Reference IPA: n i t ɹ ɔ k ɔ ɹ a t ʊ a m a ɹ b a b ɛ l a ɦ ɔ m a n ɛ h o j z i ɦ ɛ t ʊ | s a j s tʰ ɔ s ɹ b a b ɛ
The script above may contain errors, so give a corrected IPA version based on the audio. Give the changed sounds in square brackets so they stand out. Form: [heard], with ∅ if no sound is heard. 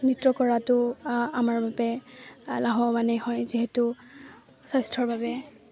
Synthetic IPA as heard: n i t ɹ ɔ k ɔ ɹ a t ʊ a m a ɹ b a b ɛ l a ɦ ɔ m a n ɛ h [ɔ] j z i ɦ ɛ t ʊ | s a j s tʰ ɔ [∅] ɹ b a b ɛ